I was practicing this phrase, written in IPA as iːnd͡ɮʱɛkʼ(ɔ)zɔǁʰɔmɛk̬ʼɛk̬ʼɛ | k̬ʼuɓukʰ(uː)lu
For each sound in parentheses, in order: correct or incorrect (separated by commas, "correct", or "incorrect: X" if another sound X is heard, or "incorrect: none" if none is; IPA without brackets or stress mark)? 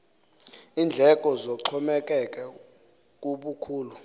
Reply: correct, correct